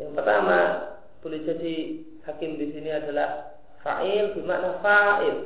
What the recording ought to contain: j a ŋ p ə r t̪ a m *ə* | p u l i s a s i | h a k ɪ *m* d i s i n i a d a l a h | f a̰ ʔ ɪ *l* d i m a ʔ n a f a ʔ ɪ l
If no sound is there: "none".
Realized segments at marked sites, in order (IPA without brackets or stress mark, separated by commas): a, m, l